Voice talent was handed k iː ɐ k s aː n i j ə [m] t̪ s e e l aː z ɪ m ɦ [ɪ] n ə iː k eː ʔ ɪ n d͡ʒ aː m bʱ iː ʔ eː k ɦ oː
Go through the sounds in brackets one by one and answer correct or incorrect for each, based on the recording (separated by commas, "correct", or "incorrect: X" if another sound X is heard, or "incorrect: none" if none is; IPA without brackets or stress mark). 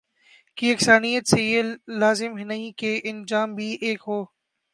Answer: incorrect: none, correct